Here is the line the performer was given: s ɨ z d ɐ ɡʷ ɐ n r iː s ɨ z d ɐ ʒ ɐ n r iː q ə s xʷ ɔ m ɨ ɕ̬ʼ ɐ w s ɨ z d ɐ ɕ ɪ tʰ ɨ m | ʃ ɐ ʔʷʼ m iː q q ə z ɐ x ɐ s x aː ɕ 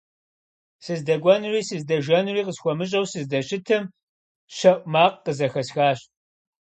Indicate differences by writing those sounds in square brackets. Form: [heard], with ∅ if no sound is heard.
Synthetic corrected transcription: s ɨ z d ɐ ɡʷ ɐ n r iː s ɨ z d ɐ ʒ ɐ n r iː q ə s xʷ ɔ m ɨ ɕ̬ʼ ɐ w s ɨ z d ɐ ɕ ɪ tʰ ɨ m | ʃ ɐ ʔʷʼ m [aː] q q ə z ɐ x ɐ s x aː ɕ